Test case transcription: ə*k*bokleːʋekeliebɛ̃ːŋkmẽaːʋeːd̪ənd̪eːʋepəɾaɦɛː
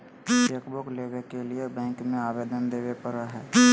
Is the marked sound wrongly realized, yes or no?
no